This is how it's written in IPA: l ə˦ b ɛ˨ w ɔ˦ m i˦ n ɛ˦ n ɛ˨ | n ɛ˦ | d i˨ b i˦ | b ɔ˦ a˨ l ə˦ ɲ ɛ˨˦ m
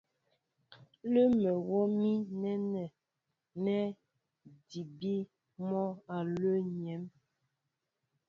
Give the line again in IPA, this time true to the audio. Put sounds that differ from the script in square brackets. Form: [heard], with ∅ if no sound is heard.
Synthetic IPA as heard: l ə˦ [m] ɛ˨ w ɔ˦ m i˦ n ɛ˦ n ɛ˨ | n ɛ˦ | d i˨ b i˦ | [m] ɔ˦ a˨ l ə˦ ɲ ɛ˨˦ m